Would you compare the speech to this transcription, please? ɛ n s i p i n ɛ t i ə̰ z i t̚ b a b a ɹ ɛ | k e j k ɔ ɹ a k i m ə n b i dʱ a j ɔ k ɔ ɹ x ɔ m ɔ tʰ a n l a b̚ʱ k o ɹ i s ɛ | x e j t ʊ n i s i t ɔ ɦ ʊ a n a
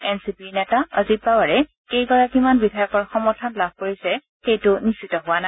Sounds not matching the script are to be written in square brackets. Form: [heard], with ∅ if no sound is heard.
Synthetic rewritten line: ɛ n s i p i n ɛ t [a] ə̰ z i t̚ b a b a ɹ ɛ | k e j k ɔ ɹ a k i m [a] n b i dʱ a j ɔ k ɔ ɹ x ɔ m ɔ tʰ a n l a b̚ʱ k o ɹ i s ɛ | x e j t ʊ n i s i t ɔ ɦ ʊ a n a

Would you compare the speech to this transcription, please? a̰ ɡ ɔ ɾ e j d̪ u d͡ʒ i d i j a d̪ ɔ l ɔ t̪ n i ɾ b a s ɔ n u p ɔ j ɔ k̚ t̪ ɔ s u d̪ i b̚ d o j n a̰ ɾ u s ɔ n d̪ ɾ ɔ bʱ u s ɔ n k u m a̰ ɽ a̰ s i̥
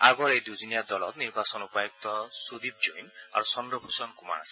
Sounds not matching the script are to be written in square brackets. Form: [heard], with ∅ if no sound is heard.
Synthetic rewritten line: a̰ ɡ ɔ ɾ e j d̪ u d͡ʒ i [n] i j a d̪ ɔ l ɔ t̪ n i ɾ b a s ɔ n u p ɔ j ɔ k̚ t̪ ɔ s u d̪ i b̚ [d͡ʒ] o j n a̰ ɾ u s ɔ n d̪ ɾ ɔ bʱ u s ɔ n k u m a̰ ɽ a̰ s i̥

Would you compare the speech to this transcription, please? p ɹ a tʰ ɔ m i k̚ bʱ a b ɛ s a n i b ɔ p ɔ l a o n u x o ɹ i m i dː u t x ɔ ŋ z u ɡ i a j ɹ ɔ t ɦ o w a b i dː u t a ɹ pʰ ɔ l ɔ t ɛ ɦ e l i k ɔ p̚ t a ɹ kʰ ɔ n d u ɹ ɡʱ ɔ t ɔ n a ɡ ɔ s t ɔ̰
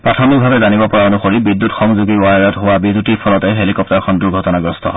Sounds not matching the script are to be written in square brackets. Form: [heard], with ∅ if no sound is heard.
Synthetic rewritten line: p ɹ a tʰ ɔ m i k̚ bʱ a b ɛ [z] a n i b ɔ p ɔ [ɹ] a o n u x o ɹ i [b] i dː u t x ɔ ŋ z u ɡ i a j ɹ ɔ t ɦ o w a b i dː u t [i] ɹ pʰ ɔ l ɔ t ɛ ɦ e l i k ɔ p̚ t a ɹ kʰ ɔ n d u ɹ ɡʱ ɔ t ɔ n a ɡ ɔ s t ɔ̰

